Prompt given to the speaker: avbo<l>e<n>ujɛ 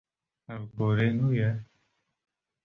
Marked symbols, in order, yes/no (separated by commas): no, yes